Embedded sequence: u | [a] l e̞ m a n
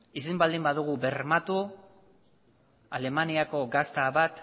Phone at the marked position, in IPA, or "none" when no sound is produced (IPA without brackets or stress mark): a